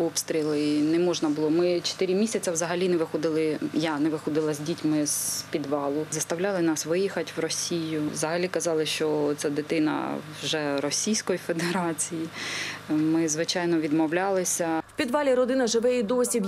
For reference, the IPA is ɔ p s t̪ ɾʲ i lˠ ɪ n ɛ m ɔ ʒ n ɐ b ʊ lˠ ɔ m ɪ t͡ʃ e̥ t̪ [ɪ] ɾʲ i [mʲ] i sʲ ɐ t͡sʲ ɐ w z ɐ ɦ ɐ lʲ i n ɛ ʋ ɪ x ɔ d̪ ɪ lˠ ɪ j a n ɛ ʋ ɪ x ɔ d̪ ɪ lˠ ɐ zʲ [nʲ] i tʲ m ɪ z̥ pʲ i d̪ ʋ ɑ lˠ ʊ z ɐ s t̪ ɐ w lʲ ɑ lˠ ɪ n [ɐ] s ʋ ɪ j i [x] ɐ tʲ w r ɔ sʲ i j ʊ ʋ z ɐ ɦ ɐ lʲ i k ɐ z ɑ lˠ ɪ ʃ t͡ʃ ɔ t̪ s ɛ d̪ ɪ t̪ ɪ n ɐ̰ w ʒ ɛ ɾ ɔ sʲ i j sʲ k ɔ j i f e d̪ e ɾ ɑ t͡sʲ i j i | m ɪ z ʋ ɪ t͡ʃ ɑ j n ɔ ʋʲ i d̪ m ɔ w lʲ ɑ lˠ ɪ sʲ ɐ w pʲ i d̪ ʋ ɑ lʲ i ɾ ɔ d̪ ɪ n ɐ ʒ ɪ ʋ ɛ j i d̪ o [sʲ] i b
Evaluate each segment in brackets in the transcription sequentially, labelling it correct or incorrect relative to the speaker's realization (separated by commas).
correct, correct, incorrect, incorrect, correct, correct